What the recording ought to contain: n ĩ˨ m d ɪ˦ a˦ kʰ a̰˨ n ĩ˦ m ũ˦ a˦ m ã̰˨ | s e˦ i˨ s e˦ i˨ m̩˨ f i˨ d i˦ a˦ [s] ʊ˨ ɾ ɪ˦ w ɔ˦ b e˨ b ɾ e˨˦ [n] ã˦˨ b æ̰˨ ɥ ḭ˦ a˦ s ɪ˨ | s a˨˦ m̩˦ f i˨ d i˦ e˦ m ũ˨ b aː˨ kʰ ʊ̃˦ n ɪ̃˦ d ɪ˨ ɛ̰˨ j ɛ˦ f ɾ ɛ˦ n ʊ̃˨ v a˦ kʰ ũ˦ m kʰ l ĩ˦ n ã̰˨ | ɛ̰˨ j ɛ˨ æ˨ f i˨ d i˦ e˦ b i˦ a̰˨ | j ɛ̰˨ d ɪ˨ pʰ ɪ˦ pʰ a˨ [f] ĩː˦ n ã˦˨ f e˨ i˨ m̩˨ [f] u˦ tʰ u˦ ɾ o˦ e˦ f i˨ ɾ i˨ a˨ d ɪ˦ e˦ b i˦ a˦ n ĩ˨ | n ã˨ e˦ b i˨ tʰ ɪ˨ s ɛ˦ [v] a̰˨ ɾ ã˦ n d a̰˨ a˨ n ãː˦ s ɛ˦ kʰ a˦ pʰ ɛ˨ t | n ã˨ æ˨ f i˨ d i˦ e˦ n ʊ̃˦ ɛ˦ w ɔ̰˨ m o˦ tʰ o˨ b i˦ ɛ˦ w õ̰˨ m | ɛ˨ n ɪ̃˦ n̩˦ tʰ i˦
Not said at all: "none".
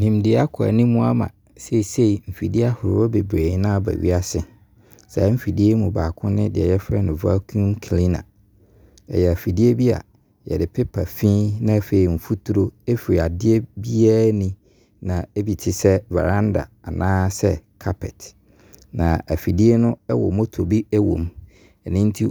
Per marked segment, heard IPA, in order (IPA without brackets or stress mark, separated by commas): h, n, f, f, v